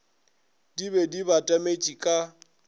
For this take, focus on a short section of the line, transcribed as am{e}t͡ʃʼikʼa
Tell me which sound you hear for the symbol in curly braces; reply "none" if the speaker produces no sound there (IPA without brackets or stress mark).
e